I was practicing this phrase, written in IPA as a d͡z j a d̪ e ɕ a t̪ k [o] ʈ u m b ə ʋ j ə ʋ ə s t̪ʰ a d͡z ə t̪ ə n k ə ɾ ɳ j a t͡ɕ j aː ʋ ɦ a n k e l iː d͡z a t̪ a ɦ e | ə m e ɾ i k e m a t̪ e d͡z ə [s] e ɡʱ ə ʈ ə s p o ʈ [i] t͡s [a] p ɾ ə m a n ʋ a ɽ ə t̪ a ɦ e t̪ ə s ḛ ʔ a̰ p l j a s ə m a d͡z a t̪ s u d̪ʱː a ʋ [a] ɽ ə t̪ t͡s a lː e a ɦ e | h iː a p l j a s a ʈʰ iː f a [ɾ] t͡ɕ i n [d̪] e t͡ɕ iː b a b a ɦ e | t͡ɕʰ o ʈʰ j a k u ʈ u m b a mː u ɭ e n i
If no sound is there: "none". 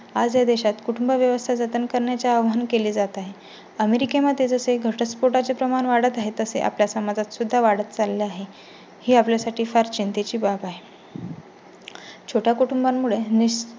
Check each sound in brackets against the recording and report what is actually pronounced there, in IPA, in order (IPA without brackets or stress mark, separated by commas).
u, s, a, e, a, ɾ, t̪